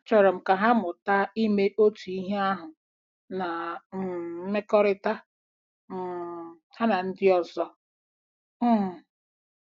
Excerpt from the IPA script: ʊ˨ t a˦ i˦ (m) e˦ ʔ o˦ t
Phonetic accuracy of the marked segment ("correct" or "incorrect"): correct